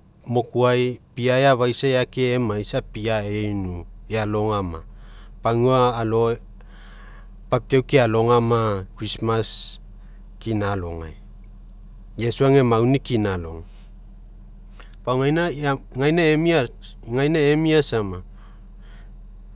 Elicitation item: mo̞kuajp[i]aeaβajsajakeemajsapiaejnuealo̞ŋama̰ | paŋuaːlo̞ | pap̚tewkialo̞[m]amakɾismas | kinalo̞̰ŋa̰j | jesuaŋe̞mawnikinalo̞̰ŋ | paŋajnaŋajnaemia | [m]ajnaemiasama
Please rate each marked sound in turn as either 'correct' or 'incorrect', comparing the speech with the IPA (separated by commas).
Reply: correct, incorrect, incorrect